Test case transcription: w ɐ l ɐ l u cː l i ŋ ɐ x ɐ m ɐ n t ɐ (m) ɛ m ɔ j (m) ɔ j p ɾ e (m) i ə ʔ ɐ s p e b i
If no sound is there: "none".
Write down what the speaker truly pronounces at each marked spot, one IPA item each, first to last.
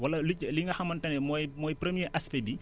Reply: n, m, m

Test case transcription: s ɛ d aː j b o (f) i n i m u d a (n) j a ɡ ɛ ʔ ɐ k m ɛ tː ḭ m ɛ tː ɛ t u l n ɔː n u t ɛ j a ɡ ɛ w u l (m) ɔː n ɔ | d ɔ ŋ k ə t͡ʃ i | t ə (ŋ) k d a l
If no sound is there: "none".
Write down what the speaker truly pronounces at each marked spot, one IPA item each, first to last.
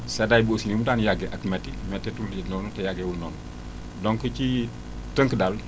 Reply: s, n, n, ŋ

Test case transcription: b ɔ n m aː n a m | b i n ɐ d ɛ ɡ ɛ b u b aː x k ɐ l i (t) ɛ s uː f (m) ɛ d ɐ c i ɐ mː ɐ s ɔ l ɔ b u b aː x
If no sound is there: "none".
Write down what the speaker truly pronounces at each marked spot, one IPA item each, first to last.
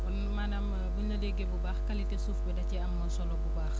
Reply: t, b

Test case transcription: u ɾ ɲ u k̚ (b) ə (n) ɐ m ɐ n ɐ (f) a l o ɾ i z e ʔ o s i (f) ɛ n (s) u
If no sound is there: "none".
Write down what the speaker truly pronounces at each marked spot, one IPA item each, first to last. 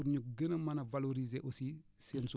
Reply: ɡ, n, v, s, s

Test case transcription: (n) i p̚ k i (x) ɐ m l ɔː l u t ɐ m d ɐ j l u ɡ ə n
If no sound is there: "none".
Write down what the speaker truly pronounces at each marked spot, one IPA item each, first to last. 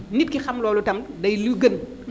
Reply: n, x

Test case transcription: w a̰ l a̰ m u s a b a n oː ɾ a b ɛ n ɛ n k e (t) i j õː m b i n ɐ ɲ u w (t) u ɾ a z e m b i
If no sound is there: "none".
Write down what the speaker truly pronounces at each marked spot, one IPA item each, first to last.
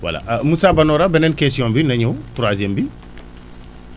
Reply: s, t

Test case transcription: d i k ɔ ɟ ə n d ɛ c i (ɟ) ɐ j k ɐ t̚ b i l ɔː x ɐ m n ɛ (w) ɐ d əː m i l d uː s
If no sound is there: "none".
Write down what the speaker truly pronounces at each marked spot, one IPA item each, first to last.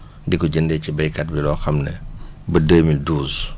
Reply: b, b

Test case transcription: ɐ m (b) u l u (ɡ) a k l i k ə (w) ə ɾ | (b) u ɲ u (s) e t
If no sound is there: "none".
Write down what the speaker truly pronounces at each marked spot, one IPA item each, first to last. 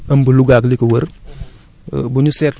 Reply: b, ɡ, w, b, s

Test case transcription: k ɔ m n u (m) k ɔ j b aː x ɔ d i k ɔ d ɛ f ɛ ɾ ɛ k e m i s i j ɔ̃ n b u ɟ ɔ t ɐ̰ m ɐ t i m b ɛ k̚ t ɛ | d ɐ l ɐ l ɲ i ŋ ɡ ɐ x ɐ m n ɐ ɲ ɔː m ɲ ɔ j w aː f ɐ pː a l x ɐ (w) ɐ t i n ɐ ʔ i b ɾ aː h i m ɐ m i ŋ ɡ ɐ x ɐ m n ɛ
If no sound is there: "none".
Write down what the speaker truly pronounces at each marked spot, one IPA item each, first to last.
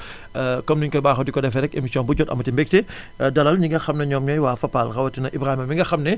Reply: ɲ, w

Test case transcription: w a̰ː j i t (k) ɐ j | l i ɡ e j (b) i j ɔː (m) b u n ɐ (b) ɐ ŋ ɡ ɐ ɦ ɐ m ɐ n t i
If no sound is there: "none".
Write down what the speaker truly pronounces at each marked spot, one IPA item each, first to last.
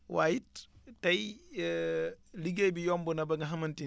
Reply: t, b, m, b

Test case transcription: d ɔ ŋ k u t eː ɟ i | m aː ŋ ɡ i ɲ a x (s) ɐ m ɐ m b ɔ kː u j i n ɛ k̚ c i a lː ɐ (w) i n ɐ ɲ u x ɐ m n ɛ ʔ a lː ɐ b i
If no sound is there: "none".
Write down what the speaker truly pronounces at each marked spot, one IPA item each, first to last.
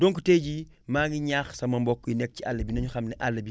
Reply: s, b

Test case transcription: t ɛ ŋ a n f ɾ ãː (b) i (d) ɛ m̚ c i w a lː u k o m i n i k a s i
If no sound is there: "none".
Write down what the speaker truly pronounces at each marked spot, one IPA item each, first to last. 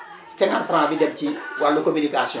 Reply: b, d

